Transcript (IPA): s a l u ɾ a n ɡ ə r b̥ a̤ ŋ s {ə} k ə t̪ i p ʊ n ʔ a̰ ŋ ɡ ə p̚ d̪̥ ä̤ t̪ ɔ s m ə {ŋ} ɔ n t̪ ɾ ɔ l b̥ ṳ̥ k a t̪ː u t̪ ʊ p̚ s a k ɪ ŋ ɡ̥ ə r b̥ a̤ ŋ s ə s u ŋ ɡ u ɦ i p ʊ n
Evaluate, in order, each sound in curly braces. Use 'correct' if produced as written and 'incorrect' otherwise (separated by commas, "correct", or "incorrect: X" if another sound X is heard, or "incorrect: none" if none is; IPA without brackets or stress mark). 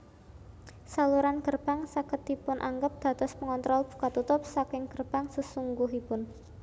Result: incorrect: a, correct